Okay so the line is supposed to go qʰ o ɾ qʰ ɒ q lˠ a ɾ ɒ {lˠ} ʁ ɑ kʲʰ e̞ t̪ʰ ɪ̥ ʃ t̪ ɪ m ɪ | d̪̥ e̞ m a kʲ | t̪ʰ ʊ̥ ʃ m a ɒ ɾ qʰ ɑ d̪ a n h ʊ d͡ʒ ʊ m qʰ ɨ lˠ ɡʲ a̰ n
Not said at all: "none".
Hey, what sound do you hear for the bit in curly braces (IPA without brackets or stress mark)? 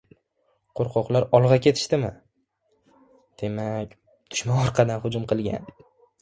lˠ